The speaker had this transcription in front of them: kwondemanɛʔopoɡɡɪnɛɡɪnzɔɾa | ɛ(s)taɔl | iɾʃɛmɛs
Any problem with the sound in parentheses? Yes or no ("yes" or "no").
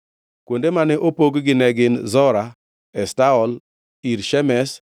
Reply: no